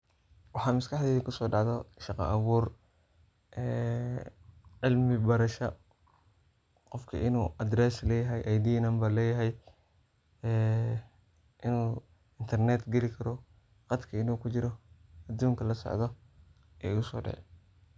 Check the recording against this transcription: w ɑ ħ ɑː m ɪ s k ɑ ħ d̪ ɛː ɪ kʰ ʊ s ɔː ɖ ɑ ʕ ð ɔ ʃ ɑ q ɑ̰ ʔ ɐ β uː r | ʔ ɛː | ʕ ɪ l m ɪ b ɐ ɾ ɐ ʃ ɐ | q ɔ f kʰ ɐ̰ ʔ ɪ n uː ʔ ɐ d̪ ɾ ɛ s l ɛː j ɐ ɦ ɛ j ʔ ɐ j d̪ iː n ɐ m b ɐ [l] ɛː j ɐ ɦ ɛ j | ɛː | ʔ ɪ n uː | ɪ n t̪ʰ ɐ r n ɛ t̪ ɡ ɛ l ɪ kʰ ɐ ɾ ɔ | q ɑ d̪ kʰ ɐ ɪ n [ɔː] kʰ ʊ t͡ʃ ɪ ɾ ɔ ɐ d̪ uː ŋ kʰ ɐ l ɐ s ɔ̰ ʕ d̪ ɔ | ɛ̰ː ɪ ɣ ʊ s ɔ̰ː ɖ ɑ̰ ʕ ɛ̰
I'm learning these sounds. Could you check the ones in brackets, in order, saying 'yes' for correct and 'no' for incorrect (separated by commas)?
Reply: yes, no